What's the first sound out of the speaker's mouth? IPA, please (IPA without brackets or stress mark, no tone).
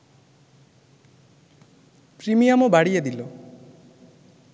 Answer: p